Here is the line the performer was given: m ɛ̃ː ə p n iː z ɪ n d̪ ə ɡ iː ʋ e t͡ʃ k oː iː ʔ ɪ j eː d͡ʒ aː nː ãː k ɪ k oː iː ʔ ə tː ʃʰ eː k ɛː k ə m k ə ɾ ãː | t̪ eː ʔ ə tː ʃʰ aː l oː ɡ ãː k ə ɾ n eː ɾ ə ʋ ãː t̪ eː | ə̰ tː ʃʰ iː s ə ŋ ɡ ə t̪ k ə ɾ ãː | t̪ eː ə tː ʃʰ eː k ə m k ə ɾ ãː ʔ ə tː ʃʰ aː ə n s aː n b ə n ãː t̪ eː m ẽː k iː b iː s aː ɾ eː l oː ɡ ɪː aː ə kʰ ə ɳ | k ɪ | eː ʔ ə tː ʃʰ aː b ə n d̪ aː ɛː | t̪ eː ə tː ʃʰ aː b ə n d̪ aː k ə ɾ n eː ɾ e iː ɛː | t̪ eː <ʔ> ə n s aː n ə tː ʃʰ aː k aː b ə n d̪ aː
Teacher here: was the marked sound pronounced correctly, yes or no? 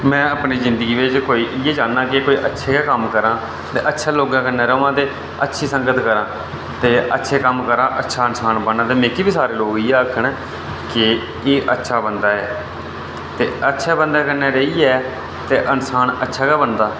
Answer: yes